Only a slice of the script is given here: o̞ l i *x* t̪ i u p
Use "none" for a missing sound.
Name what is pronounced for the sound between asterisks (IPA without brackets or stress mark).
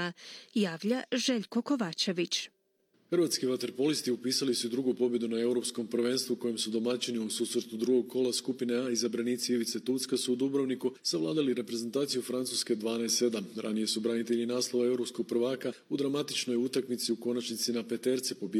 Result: s